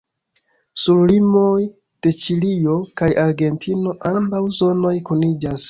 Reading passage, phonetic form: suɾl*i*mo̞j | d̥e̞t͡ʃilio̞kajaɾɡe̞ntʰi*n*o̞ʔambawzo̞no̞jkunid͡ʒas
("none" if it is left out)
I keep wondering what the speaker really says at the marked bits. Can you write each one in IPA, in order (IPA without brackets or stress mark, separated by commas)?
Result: i, n